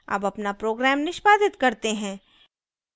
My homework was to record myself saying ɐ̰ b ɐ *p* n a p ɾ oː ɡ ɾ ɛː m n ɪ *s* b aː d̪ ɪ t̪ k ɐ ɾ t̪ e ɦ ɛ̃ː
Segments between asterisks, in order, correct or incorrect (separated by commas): correct, incorrect